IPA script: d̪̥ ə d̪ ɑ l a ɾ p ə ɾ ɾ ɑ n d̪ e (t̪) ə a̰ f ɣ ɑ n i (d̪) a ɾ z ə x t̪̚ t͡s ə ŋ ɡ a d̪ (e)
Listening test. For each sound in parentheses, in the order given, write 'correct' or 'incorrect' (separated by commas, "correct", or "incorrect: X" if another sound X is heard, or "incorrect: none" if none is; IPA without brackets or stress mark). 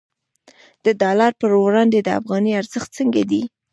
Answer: incorrect: d̪, incorrect: none, incorrect: i